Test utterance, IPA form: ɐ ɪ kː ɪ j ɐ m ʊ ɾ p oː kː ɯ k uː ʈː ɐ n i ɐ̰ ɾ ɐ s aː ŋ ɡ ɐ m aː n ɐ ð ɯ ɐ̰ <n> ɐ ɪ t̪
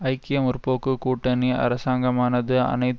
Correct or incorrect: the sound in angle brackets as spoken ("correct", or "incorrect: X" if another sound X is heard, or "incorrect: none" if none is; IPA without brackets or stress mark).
correct